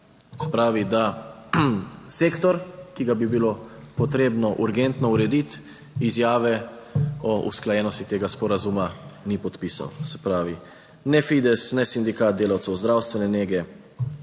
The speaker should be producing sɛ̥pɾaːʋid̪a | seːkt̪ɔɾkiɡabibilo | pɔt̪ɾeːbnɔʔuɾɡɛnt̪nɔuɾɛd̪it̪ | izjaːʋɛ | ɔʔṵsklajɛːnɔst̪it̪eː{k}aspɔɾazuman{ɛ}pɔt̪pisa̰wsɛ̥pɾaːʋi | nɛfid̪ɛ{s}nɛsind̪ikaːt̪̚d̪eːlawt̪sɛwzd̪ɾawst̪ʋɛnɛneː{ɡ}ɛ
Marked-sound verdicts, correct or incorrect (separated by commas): incorrect, incorrect, correct, correct